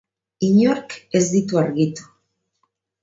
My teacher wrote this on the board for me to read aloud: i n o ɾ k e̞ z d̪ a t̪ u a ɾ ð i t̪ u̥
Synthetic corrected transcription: i ɲ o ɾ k e̞ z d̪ i t̪ u a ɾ ɣ i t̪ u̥